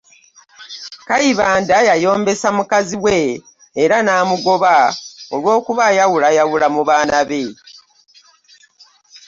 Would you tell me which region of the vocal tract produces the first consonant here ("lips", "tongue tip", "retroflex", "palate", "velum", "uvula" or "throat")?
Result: velum